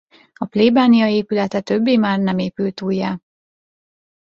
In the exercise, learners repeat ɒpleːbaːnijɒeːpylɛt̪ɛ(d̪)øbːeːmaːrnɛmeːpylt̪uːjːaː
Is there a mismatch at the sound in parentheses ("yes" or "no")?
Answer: yes